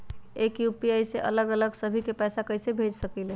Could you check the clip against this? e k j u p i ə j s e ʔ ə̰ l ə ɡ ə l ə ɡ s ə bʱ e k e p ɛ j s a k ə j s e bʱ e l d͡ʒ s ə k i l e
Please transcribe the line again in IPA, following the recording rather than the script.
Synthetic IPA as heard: e k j u p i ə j s e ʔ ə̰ l ə ɡ ə l ə ɡ s ə bʱ i k e p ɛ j s a k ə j s e bʱ e d͡ʒ s ə k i l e